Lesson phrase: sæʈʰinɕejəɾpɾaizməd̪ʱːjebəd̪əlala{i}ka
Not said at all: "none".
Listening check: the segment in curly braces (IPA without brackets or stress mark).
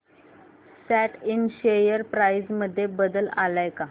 j